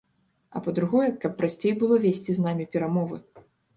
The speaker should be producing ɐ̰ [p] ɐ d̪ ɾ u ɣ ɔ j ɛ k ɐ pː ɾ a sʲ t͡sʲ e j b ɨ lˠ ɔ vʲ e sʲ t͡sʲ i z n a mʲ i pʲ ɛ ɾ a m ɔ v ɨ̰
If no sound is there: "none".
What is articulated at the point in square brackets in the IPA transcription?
p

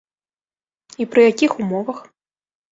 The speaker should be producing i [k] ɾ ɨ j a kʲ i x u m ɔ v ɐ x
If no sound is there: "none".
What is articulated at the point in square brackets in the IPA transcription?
p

